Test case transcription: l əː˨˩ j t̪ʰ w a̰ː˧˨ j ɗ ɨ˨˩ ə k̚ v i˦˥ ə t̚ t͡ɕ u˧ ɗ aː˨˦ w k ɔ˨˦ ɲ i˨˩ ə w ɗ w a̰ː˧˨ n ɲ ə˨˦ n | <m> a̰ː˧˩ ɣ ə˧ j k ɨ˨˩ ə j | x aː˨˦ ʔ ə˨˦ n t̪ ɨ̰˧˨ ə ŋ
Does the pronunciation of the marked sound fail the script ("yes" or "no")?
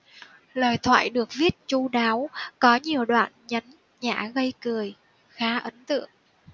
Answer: yes